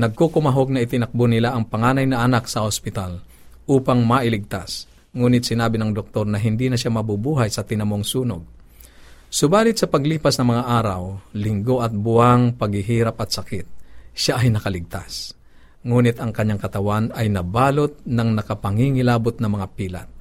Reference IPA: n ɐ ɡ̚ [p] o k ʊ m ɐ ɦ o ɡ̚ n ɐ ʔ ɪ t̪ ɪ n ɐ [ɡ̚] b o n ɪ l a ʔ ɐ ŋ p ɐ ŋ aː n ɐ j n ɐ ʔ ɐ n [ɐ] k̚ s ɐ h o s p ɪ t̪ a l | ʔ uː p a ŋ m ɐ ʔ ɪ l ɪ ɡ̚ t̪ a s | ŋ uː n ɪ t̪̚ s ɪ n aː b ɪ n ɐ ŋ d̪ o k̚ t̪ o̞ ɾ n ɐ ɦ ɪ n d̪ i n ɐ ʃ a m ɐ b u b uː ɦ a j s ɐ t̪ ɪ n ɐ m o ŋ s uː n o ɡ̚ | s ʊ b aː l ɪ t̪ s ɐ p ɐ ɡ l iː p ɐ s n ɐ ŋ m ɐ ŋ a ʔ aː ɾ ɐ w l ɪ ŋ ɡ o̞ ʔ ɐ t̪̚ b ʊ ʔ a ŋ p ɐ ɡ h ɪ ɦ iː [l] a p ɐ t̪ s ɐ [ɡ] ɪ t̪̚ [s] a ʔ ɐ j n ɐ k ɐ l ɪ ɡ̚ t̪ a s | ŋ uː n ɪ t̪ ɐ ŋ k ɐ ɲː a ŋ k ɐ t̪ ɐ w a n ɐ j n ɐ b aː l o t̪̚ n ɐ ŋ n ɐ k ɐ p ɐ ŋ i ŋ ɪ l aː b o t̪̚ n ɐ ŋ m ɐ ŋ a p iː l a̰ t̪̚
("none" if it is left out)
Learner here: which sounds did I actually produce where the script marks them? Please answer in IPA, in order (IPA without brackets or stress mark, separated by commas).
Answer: k, k̚, a, ɾ, k, ʃ